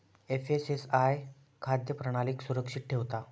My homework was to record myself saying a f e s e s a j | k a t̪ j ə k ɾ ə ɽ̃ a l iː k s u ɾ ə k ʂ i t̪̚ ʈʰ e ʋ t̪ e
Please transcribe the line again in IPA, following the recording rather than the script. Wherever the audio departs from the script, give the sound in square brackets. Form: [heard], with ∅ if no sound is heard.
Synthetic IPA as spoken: [e] f e s e s a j | [kʰ] a [d̪] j ə [p] ɾ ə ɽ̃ a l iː k s u ɾ ə k ʂ i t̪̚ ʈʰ e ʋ t̪ [a]